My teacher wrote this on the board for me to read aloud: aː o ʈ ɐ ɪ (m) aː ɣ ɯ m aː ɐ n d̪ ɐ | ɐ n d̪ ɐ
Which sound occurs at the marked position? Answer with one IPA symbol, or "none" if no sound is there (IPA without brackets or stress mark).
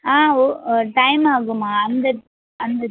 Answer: m